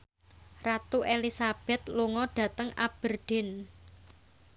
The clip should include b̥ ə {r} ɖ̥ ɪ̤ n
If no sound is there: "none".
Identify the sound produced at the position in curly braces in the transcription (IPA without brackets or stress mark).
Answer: r